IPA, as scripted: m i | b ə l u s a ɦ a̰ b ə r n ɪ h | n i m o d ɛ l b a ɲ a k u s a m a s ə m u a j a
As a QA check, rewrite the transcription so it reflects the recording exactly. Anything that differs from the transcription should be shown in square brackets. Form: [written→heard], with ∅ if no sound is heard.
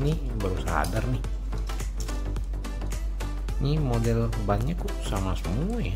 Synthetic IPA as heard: [m→n] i | b ə [l→ɾ] u s a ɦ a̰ [b→d] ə r n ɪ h | n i m o d ɛ l b a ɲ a k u s a m a s ə m u a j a